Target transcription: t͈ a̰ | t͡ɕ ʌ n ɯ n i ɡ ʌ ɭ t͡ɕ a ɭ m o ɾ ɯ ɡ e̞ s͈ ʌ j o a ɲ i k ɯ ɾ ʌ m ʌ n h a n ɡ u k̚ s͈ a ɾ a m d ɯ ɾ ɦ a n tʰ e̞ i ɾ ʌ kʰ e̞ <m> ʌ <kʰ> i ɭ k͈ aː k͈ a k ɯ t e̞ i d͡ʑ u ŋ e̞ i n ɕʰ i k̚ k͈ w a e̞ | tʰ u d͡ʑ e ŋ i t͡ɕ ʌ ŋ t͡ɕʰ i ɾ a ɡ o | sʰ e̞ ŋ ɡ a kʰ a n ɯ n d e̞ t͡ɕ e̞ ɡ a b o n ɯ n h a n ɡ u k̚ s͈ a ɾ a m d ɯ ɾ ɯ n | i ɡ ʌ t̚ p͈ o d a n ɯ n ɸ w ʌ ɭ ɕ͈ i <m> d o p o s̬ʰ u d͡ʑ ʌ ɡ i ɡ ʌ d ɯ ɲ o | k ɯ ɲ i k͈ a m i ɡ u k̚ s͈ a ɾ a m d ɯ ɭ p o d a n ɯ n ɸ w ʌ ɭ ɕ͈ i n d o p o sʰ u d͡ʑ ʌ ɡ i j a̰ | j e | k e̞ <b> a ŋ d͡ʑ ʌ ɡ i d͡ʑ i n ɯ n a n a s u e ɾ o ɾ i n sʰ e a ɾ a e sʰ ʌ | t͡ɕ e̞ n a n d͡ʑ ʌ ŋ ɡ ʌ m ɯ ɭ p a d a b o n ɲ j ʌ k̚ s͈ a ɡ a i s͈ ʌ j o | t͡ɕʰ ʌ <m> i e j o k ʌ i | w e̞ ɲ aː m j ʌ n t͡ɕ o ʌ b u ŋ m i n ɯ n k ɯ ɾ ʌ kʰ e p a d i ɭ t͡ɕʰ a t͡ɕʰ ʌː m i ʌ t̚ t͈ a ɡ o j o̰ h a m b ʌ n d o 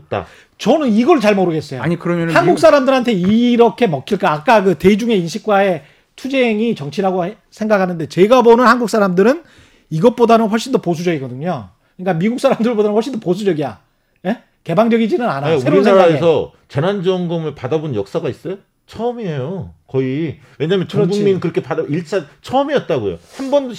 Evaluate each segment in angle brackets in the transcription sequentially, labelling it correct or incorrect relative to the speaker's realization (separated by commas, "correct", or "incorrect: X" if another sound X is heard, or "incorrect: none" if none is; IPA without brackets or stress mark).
correct, correct, incorrect: n, correct, correct